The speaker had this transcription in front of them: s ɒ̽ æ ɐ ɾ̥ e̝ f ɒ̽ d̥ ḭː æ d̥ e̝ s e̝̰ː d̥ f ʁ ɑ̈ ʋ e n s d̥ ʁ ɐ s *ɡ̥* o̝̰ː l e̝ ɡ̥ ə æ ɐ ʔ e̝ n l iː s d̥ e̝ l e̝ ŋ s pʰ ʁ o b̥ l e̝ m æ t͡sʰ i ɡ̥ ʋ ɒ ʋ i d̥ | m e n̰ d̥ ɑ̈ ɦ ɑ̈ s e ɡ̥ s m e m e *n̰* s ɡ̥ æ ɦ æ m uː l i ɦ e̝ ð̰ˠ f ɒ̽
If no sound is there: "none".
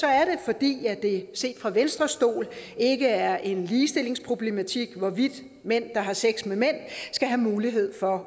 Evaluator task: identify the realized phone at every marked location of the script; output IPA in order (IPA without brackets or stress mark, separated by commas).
d̥, n̰